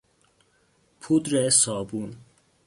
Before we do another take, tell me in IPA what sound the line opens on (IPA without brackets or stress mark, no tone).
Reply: pʰ